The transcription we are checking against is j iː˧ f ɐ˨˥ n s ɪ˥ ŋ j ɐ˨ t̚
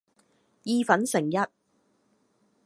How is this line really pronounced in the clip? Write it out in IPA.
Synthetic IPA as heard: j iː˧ f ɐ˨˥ n s ɪ˨˩ ŋ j ɐ˥ t̚